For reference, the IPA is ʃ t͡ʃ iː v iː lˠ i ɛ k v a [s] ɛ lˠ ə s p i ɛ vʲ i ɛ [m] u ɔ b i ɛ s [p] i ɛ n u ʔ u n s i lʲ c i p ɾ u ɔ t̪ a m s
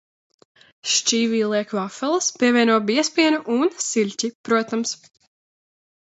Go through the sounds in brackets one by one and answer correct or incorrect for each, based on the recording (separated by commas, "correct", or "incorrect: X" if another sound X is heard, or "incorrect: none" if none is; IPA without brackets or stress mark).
incorrect: f, incorrect: n, correct